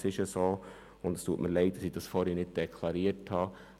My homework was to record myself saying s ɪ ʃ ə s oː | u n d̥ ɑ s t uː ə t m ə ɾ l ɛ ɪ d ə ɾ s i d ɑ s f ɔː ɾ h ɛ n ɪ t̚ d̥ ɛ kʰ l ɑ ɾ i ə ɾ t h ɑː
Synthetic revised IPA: s ɪ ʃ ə s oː | ʊ n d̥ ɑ s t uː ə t m ə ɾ l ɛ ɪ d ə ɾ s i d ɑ s f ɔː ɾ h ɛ n ɪ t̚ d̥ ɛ kʰ l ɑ ɾ i ə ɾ t h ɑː